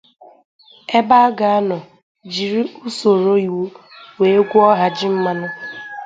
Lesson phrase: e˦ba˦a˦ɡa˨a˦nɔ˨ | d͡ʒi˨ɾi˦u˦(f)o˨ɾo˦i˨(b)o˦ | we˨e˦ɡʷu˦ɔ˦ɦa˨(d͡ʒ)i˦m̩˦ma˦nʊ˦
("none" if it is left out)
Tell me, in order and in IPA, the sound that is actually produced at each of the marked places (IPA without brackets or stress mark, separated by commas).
s, w, d͡ʒ